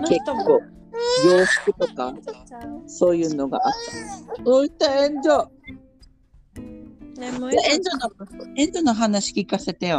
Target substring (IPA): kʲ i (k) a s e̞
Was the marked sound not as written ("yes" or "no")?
no